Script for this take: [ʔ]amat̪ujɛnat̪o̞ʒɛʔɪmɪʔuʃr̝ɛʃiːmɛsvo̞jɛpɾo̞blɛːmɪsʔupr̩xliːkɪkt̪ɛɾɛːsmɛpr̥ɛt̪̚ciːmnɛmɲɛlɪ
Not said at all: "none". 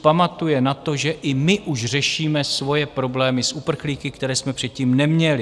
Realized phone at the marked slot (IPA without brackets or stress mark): p